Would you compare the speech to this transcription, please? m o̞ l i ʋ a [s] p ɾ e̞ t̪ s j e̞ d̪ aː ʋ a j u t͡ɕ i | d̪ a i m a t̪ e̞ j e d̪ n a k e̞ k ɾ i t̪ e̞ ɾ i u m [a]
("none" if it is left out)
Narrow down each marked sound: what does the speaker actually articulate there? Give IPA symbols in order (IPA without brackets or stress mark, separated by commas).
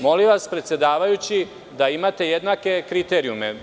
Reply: s, e